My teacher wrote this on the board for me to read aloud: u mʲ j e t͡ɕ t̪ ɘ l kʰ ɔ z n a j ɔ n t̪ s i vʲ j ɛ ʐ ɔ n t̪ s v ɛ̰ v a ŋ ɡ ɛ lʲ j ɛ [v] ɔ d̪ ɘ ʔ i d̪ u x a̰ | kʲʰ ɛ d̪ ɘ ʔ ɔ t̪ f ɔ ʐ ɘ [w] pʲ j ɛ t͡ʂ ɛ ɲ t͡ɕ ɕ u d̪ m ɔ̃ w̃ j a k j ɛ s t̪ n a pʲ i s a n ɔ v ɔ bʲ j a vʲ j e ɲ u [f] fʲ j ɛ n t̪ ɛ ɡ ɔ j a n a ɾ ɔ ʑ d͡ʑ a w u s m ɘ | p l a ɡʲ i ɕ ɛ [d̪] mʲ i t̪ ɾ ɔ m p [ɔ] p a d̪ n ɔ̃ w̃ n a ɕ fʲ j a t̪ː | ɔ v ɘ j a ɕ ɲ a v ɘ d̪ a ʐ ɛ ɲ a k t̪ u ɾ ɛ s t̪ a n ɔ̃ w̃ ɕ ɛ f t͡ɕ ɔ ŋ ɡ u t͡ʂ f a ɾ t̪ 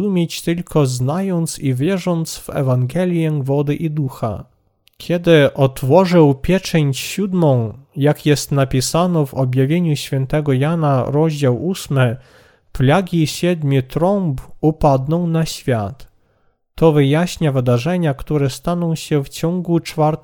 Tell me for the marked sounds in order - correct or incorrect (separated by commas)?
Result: correct, correct, incorrect, correct, incorrect